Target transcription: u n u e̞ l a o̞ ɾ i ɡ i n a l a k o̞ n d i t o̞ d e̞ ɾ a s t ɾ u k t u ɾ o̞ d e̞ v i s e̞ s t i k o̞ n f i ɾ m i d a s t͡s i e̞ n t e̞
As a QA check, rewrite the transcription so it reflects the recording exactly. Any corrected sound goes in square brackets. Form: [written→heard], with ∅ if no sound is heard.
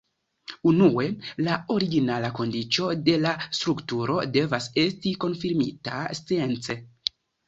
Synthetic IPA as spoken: u n u e̞ l a o̞ ɾ i ɡ i n a l a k o̞ n d i [t→t͡ʃ] o̞ d e̞ [ɾ→l] a s t ɾ u k t u ɾ o̞ d e̞ v [i→a] s e̞ s t i k o̞ n f i ɾ m i [d→t] a s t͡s i e̞ n [t→t͡s] e̞